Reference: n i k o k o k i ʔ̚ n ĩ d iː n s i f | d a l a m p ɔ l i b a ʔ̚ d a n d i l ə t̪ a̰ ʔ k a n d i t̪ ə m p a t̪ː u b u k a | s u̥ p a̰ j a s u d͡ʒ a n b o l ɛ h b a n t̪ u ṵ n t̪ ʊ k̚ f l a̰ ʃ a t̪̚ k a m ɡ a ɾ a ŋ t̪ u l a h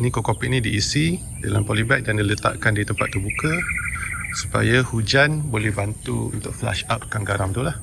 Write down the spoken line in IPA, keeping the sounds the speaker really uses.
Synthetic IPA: n i k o k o p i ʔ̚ n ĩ d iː s i | d a l a m p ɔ l i b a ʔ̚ d a n d i l ə t̪ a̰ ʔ k a n d i t̪ ə m p a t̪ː u b u k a | s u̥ p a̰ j a h u d͡ʒ a n b o l ɛ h b a n t̪ u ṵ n t̪ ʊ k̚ f l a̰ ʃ a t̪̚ k a ŋ ɡ a ɾ a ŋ t̪ u l a h